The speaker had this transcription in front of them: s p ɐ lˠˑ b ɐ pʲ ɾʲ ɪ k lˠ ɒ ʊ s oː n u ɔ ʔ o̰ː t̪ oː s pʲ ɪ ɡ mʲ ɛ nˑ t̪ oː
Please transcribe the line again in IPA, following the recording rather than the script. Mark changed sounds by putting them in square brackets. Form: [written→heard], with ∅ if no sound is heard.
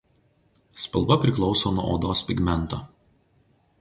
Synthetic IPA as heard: s p ɐ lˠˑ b ɐ pʲ ɾʲ ɪ k lˠ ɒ ʊ s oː n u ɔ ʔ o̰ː [t̪→d̪] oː s pʲ ɪ ɡ mʲ ɛ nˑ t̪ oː